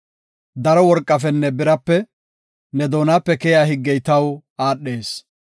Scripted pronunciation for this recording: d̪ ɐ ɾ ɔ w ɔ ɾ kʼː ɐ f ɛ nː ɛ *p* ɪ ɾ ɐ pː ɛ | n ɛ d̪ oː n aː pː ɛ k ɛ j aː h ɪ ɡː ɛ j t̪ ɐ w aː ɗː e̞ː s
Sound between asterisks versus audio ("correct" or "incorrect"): incorrect